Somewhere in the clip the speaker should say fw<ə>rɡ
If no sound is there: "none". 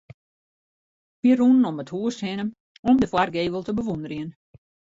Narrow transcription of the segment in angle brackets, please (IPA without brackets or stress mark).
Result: a